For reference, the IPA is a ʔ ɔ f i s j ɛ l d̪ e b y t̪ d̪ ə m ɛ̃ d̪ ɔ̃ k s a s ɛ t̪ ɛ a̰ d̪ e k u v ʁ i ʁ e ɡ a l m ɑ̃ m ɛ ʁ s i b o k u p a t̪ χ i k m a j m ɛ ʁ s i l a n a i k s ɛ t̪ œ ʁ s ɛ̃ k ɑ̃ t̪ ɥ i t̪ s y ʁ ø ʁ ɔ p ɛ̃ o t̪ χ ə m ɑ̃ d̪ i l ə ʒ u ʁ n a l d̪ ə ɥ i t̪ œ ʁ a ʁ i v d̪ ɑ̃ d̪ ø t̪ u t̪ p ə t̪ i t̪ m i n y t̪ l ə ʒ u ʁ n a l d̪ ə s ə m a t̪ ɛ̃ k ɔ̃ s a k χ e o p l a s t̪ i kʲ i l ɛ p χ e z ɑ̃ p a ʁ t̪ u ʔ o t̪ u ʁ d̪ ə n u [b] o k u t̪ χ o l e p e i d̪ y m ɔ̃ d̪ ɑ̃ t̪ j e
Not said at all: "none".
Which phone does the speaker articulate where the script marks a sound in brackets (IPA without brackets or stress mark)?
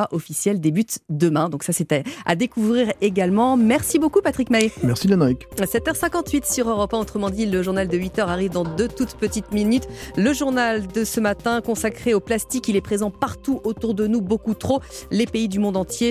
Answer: b